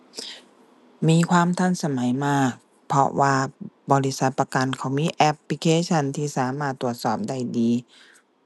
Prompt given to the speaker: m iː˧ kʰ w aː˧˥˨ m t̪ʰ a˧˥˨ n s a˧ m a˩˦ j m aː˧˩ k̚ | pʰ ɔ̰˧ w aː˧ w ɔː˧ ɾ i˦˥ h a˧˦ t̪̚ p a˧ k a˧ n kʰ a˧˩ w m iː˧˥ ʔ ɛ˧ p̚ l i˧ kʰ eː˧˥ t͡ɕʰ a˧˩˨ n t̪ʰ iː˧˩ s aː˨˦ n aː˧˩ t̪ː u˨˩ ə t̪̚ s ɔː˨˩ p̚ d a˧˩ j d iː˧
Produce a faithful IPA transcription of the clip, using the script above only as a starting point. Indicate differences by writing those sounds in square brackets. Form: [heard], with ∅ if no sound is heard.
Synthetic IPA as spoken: m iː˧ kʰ w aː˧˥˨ m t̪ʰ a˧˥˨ n s a˧ m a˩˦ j m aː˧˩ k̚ | pʰ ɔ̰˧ w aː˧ [b] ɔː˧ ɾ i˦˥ [s] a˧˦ t̪̚ p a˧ k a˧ n kʰ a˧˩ w m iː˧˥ ʔ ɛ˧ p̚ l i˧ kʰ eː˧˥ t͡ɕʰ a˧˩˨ n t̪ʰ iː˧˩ s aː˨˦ [m] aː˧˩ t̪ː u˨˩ ə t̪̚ s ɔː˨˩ p̚ d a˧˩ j d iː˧

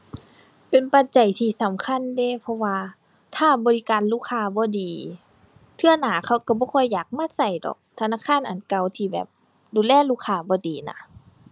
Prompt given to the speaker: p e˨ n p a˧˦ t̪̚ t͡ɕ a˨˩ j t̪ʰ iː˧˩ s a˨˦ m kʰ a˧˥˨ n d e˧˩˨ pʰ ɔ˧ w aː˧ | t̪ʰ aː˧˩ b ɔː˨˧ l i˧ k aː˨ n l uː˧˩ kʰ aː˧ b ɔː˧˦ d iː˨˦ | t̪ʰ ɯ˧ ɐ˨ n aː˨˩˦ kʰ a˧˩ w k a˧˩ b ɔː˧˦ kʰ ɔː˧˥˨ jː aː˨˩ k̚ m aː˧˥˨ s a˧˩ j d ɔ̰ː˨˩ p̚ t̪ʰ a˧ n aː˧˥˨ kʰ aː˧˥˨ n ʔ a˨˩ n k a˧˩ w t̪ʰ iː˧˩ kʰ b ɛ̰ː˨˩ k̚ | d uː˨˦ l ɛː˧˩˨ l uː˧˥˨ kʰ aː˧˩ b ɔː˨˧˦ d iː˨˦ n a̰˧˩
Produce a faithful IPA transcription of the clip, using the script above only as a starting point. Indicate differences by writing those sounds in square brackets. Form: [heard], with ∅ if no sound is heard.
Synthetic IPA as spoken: p e˨ n p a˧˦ t̪̚ t͡ɕ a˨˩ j t̪ʰ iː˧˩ s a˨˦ m kʰ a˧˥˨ n d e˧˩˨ pʰ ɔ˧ w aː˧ | t̪ʰ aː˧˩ b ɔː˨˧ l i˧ k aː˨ n l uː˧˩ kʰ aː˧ b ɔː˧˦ d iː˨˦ | t̪ʰ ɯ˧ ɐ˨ n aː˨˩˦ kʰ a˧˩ w k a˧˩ b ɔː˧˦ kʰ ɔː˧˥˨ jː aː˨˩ k̚ m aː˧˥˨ s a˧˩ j d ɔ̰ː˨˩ [k̚] t̪ʰ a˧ n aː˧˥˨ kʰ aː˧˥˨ n ʔ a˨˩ n k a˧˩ w t̪ʰ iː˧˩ [∅] b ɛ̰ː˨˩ [p̚] | d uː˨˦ l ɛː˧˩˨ l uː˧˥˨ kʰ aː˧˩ b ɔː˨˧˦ d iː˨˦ n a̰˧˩

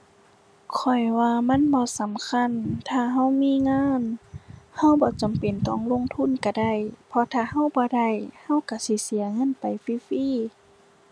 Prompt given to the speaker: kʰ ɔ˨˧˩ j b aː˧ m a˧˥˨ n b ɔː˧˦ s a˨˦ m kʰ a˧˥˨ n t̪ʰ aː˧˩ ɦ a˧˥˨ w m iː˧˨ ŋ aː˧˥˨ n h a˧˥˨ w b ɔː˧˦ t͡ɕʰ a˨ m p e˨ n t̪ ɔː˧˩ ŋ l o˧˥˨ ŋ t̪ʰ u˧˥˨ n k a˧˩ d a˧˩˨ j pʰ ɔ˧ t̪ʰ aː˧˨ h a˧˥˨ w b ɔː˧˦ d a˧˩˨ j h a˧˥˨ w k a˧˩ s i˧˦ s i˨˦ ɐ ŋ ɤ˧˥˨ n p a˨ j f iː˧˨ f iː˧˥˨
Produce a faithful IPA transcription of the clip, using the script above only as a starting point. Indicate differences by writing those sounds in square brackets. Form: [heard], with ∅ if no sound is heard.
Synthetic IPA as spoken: kʰ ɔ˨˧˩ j [w] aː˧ m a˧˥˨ n b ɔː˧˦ s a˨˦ m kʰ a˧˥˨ n t̪ʰ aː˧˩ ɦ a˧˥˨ w m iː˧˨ ŋ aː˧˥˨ n h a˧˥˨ w b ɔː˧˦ [t͡ɕ] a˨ m p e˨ n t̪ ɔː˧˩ ŋ l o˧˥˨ ŋ t̪ʰ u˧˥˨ n k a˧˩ d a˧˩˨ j pʰ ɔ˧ t̪ʰ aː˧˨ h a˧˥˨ w b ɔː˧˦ d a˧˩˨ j h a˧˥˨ w k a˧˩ s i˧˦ s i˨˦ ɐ ŋ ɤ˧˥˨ n p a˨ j f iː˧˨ f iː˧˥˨

